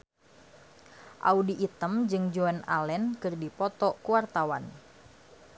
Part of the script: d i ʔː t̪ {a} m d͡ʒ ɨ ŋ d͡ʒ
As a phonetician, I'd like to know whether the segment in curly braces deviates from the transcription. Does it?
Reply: yes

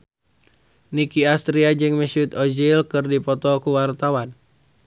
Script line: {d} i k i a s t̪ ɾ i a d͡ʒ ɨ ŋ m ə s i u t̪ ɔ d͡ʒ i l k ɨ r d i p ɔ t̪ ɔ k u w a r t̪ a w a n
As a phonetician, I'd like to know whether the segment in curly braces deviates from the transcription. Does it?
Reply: yes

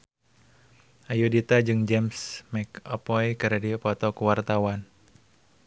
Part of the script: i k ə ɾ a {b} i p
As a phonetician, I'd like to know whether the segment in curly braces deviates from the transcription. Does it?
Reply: yes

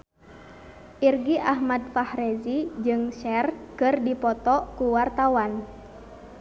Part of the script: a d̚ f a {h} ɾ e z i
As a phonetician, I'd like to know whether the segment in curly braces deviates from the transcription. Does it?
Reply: no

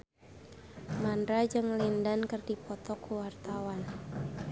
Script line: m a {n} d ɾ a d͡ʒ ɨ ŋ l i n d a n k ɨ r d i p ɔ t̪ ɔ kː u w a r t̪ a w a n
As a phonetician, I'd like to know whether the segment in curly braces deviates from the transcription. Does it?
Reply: no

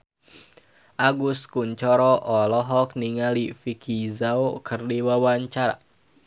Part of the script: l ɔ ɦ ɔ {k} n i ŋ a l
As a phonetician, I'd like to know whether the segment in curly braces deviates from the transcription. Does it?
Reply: no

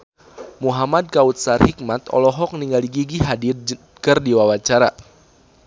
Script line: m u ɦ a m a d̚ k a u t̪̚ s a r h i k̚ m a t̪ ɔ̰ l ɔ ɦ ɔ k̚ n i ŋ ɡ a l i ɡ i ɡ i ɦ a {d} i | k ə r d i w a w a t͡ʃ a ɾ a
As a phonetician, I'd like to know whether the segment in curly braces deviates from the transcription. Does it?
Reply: no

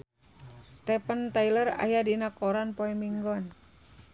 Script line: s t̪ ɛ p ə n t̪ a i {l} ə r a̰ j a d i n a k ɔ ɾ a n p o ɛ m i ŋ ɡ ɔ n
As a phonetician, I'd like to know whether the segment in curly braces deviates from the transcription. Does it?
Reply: no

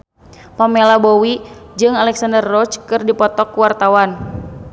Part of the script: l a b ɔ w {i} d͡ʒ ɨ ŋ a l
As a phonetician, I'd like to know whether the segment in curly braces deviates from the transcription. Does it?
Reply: no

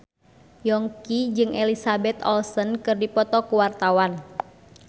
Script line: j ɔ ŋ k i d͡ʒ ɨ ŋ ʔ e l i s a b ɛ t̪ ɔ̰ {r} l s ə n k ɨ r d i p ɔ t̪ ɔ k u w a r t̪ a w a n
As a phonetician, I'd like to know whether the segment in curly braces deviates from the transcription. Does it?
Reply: yes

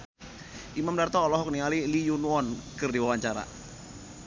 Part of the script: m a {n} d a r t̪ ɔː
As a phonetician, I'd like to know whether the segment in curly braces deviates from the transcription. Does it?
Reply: yes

